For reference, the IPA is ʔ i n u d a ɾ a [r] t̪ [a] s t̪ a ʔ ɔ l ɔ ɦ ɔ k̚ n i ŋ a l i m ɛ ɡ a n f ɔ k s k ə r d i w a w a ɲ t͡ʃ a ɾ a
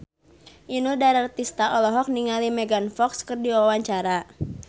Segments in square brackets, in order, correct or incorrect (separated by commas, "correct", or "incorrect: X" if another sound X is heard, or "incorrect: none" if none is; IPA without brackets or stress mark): correct, incorrect: i